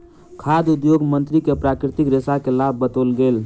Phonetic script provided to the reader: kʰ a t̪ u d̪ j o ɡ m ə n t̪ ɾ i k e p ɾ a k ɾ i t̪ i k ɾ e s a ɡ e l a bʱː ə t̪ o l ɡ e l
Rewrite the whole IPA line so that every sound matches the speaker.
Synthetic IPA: kʰ a d̪ u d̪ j o ɡ m ə n t̪ ɾ i k e p ɾ a k ɾ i t̪ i k ɾ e s a k e l a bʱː ə t̪ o l ɡ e l